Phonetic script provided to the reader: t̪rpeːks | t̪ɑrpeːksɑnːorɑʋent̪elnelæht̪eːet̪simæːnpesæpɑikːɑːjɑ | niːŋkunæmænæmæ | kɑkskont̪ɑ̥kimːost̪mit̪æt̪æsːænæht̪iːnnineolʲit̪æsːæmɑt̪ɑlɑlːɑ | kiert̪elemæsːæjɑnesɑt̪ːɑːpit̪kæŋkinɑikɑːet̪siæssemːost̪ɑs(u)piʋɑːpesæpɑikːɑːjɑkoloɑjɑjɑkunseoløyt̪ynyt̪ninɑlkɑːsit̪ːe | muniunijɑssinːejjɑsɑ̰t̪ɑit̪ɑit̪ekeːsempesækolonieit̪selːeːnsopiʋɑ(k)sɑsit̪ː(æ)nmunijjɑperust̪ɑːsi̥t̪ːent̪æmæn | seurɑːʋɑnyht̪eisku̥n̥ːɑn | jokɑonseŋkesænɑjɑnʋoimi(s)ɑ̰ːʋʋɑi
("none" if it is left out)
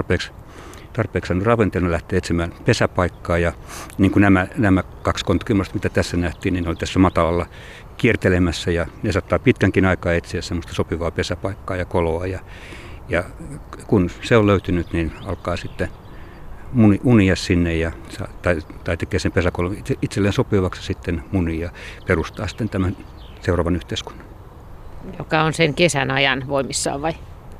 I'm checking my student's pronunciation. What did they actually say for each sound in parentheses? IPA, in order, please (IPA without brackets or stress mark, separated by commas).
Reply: o, k, e, sː